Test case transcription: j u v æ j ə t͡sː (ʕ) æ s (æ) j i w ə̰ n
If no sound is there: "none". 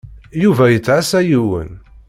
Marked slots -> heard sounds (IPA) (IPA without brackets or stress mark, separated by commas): ʕ, æ